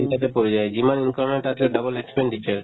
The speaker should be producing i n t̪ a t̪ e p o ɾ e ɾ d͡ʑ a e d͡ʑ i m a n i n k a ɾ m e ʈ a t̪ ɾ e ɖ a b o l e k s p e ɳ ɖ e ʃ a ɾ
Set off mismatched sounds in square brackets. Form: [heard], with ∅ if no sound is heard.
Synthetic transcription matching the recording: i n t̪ a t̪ e p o ɾ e [∅] d͡ʑ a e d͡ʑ i m a n i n k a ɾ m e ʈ a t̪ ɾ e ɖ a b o l e k s p e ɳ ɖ [i] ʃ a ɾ